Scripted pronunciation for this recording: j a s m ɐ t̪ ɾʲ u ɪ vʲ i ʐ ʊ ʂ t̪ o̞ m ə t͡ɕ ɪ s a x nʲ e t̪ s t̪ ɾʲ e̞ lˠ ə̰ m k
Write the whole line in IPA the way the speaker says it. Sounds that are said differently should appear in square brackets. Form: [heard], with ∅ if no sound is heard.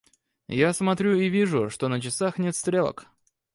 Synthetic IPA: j a s m ɐ t̪ ɾʲ u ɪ vʲ i ʐ ʊ ʂ t̪ o̞ [n] ə t͡ɕ ɪ s a x nʲ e t̪ s t̪ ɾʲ e̞ lˠ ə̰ [∅] k